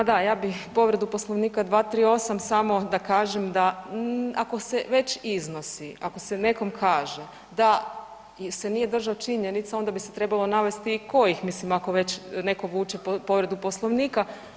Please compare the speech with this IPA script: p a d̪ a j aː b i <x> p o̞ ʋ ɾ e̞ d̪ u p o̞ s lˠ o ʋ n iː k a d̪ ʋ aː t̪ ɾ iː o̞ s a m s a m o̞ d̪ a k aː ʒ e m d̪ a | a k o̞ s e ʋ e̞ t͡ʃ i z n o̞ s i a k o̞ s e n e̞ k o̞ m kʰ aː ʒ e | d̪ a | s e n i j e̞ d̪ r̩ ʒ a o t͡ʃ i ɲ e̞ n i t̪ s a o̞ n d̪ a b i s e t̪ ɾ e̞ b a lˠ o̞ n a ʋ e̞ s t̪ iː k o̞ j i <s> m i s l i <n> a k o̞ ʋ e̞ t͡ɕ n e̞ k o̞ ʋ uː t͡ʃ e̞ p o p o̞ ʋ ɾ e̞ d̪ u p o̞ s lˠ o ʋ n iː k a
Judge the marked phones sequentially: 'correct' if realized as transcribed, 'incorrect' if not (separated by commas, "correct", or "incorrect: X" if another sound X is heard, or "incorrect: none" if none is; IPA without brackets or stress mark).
correct, incorrect: x, incorrect: m